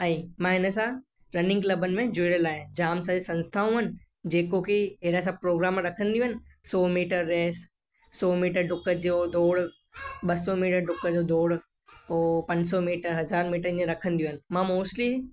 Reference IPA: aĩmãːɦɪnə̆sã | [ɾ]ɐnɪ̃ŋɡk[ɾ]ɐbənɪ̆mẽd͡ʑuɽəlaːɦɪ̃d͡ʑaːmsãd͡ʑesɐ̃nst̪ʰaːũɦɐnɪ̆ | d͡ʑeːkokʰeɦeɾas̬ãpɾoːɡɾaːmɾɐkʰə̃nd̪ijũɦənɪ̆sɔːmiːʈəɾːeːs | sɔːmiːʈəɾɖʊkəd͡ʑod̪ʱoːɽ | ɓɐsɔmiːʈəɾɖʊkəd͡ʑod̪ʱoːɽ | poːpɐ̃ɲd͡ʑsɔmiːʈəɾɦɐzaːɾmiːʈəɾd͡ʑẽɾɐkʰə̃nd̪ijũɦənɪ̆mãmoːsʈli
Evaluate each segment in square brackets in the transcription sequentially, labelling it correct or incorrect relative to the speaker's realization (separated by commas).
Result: correct, incorrect